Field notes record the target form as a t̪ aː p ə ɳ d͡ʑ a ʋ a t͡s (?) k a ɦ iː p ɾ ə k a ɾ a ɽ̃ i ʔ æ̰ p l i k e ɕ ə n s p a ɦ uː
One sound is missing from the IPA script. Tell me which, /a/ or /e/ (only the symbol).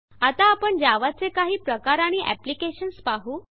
e